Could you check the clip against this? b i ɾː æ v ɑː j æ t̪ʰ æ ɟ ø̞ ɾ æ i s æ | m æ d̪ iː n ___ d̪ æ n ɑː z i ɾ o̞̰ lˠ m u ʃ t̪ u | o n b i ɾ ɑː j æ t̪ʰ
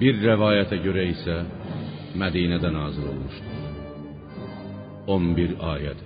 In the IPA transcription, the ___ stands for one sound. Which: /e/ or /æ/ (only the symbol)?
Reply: æ